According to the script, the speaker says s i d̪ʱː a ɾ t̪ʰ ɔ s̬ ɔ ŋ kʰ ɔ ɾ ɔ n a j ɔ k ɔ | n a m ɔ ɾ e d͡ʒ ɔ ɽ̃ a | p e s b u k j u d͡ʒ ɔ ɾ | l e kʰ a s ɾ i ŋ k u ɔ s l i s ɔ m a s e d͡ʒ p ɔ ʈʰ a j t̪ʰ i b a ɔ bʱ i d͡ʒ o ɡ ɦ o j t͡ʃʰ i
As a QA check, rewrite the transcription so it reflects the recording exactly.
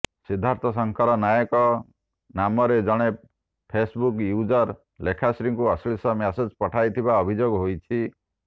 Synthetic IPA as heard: s i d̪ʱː a ɾ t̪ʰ ɔ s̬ ɔ ŋ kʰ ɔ ɾ ɔ n a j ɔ k ɔ | n a m ɔ ɾ e d͡ʒ ɔ ɽ̃ e | pʰ e s b u k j u d͡ʒ ɔ ɾ | l e kʰ a s ɾ i ŋ k u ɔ s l i s ɔ m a s e d͡ʒ p ɔ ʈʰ a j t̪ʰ i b a ɔ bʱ i d͡ʒ o ɡ ɦ o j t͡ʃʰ i